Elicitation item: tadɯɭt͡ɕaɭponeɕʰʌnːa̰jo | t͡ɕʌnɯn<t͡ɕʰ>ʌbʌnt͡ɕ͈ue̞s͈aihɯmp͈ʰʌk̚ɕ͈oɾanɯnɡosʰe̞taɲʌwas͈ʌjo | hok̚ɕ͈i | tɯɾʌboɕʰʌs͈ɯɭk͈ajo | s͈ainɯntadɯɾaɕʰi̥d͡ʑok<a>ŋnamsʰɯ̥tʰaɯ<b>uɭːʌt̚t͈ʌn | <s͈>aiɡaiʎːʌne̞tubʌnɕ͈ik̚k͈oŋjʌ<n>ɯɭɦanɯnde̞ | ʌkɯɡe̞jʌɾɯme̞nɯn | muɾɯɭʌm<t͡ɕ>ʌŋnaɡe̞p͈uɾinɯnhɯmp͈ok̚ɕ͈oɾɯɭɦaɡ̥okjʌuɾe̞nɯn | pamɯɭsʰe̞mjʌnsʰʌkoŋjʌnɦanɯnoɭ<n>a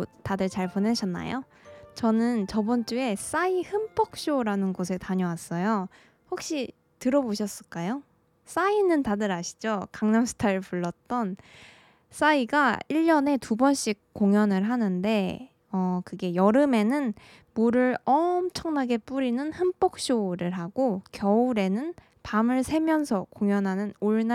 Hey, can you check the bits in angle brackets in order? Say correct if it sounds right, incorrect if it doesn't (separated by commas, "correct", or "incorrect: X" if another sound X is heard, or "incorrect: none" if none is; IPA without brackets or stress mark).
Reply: incorrect: t͡ɕ, correct, incorrect: p, correct, correct, incorrect: t͡ɕʰ, correct